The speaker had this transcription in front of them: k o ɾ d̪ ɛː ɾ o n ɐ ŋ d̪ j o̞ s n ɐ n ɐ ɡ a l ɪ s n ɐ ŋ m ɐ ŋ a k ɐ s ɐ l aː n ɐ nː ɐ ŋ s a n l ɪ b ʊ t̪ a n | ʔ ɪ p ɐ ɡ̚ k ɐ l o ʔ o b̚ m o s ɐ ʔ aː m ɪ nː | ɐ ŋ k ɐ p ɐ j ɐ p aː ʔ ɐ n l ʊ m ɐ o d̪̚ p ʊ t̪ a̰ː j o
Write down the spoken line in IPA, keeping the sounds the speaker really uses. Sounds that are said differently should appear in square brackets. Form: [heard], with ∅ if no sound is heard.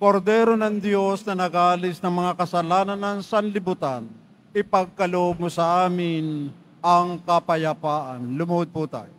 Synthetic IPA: k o ɾ d̪ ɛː ɾ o n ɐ ŋ d̪ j o̞ s n ɐ n ɐ ɡ a l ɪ s n ɐ ŋ m ɐ ŋ a k ɐ s ɐ l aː n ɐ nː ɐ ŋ s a n l ɪ b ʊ t̪ a n | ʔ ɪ p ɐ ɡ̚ k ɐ l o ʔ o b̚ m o s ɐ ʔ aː m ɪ [n] | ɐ ŋ k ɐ p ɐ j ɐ p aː ʔ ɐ n l ʊ m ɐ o d̪̚ p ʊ t̪ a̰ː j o